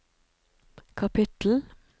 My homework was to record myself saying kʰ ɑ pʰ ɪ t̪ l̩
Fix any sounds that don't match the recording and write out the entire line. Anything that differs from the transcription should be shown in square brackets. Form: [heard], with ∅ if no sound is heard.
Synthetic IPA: kʰ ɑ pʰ ɪ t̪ l̩